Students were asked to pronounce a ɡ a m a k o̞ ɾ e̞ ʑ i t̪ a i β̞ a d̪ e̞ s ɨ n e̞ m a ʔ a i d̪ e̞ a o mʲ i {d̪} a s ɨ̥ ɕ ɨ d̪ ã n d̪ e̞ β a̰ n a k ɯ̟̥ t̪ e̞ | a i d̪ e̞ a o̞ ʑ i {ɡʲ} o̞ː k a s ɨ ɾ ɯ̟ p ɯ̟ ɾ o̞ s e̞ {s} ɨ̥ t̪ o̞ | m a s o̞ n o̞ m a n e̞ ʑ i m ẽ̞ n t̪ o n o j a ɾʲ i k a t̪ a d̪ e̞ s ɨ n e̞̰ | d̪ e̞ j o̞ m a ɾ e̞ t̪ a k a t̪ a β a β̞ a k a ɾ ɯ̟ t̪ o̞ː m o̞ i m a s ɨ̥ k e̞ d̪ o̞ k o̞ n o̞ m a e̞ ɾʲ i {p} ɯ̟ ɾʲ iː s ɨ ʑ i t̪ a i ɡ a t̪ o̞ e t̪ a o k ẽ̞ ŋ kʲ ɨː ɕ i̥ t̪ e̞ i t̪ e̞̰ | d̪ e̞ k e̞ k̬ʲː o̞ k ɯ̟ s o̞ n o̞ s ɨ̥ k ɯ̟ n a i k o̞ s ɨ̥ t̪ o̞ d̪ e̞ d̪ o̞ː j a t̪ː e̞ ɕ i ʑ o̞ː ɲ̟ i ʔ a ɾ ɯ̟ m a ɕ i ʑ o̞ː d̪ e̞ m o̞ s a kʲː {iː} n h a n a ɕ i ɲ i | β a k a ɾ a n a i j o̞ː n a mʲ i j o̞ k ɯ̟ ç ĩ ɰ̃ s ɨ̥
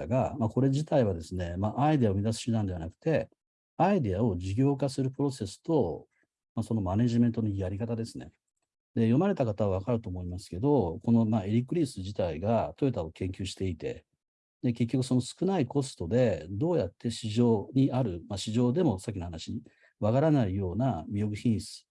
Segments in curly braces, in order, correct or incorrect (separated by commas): correct, correct, correct, incorrect, incorrect